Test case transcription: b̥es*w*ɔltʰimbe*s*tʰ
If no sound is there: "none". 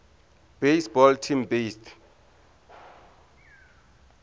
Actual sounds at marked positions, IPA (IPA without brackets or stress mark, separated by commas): b, s